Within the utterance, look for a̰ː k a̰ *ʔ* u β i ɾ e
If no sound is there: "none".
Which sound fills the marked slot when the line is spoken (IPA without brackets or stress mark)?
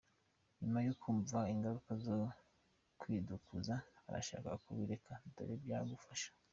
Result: k